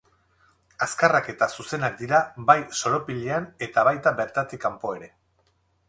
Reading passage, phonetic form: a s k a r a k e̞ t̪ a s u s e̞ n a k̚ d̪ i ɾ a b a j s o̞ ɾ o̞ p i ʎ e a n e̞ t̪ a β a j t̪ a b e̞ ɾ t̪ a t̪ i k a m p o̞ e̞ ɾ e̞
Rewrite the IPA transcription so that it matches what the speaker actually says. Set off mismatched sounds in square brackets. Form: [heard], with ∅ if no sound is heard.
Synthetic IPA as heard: a s k a r a k e̞ t̪ a s u s e̞ n a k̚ d̪ i ɾ a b a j s o̞ ɾ o̞ p i ʎ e a n e̞ t̪ a β a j t̪ a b e̞ ɾ t̪ a t̪ i k a m p o̞ e̞ ɾ e̞